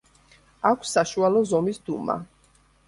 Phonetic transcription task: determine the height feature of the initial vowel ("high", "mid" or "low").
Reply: low